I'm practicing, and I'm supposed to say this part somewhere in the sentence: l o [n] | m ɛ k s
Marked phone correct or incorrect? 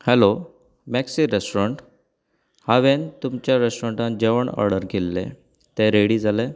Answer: incorrect